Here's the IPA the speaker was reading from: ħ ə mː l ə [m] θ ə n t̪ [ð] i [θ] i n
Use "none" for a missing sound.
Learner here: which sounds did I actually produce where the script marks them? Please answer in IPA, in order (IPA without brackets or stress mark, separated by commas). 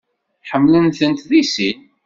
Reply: n, ð, s